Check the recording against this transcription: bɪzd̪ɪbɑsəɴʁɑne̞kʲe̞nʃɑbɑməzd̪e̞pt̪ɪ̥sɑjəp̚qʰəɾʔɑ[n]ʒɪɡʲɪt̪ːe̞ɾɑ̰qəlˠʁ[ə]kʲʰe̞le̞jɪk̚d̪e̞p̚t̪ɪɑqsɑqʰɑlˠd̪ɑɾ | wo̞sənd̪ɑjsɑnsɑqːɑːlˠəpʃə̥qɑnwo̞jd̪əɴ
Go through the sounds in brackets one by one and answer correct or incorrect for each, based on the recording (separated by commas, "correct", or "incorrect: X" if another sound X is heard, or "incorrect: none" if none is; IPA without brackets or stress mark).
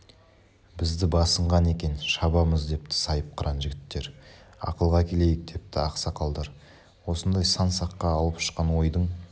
correct, incorrect: ɑ